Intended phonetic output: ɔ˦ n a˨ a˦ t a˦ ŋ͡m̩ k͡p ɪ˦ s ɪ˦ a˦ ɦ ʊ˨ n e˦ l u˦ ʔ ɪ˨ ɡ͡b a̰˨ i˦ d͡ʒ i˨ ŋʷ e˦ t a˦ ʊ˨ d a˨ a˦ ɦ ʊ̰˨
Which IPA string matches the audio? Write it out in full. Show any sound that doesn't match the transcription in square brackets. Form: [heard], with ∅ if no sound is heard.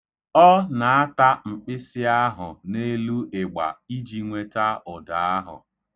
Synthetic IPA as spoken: ɔ˦ n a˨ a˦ t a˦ ŋ͡m̩ k͡p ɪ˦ s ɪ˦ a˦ ɦ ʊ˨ n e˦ l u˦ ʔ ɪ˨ ɡ͡b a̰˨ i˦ d͡ʒ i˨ ŋʷ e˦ t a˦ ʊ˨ d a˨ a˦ ɦ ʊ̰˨

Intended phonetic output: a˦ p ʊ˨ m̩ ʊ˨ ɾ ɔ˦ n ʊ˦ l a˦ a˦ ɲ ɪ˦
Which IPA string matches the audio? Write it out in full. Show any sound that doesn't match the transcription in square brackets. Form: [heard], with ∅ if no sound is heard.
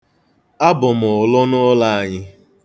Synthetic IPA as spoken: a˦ [b] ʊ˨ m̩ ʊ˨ [l] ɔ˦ n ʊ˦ l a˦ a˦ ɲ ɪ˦

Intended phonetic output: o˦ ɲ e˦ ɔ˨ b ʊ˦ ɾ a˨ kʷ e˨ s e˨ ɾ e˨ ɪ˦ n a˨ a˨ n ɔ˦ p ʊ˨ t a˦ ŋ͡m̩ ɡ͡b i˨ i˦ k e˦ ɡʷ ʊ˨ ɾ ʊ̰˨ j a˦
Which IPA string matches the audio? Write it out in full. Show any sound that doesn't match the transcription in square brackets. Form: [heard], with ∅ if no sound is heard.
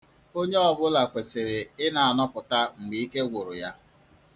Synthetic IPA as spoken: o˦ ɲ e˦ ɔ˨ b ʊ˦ [l] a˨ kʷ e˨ s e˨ ɾ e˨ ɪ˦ n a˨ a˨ n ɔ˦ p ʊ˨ t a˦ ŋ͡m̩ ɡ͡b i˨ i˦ k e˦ ɡʷ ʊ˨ ɾ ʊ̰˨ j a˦

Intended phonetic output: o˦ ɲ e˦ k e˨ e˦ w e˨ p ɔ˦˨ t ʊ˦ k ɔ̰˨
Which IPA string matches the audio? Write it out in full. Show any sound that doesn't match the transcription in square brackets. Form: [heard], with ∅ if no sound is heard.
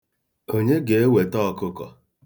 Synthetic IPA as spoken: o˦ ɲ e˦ [ɡ] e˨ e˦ w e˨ [t] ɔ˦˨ [k] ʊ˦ k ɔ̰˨

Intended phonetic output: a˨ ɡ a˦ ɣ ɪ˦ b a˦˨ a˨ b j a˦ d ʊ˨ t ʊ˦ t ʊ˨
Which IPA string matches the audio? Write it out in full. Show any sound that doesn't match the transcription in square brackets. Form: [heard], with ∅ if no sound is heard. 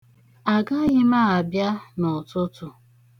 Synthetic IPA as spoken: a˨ ɡ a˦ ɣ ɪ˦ [m] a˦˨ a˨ b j a˦ [n] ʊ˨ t ʊ˦ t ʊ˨

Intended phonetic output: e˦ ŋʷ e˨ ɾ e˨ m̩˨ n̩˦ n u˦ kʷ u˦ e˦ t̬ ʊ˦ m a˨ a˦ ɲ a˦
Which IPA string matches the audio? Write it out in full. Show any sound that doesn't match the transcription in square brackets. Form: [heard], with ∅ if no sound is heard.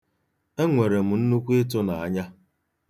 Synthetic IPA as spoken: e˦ ŋʷ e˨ ɾ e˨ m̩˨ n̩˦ n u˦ kʷ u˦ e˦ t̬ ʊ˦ [n] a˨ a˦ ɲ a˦

